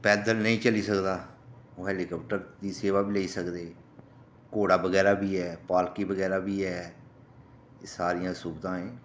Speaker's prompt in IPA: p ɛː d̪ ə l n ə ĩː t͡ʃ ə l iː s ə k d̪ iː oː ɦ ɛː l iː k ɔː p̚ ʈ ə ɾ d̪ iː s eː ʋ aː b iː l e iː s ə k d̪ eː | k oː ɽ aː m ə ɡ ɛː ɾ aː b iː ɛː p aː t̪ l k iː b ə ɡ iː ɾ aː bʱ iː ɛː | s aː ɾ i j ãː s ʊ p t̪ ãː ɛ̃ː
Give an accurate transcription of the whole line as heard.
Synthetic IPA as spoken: p ɛː d̪ ə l n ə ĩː t͡ʃ ə l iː s ə k d̪ aː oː ɦ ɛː l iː k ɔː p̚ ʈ ə ɾ d̪ iː s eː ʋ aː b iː l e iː s ə k d̪ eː | k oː ɽ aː b ə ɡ ɛː ɾ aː b iː ɛː p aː l k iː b ə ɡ ɛː ɾ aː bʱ iː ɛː | s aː ɾ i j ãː s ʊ b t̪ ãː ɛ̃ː